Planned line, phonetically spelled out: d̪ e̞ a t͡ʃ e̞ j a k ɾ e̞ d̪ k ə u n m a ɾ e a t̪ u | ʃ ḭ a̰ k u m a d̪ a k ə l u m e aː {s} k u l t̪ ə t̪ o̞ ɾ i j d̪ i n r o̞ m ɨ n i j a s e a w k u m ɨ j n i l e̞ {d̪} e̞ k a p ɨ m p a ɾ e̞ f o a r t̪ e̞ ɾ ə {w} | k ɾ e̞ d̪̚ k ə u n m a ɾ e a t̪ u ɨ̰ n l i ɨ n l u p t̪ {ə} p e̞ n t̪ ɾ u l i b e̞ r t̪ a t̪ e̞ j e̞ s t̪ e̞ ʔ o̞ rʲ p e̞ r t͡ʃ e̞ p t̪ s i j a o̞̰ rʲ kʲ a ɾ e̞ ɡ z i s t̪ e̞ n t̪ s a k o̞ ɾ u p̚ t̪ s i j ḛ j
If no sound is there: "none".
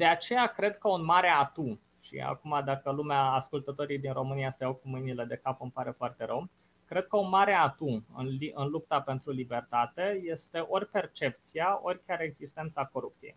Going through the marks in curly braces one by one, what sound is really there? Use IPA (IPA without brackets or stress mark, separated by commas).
s, d̪, w, a